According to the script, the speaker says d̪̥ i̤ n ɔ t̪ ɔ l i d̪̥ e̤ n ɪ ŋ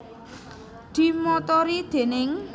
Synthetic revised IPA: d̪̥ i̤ m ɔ t̪ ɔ ɾ i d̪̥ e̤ n ɪ ŋ